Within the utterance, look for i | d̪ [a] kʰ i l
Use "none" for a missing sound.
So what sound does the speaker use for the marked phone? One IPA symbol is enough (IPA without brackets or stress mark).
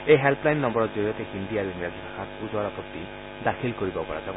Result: a